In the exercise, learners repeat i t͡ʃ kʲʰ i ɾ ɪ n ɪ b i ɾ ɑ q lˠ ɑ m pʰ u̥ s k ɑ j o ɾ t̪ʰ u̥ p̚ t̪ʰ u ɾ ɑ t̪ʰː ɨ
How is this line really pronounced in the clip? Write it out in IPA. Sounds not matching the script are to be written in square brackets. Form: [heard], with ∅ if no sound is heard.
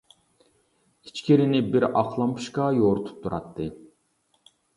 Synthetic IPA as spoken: i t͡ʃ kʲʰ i ɾ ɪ n ɪ b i ɾ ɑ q lˠ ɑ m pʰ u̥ [ʃ] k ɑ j o ɾ t̪ʰ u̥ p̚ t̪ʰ u ɾ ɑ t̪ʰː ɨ